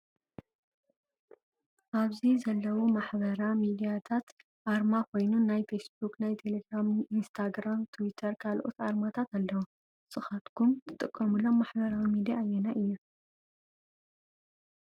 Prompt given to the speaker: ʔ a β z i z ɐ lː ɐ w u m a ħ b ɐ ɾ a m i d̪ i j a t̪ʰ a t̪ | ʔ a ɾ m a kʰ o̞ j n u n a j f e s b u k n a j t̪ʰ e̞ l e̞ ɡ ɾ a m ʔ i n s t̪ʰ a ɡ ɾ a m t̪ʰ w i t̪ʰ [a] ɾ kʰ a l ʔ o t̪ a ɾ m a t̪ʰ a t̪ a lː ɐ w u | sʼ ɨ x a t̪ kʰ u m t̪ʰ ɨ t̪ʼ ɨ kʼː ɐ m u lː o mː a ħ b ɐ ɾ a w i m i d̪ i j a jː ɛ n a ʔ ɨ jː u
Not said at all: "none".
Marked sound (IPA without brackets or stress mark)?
ɐ